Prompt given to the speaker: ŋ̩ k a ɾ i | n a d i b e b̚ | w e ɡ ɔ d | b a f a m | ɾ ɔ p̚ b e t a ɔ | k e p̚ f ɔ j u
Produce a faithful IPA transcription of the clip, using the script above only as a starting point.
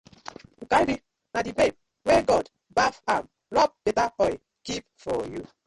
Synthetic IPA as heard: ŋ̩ k a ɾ i | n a d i b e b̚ | w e ɡ ɔ d | b a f a m | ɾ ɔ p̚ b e t a ɔ | k i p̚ f ɔ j u